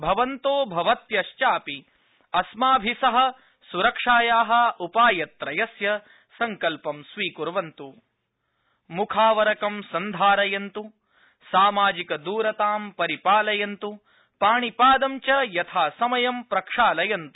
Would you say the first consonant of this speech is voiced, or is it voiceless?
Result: voiced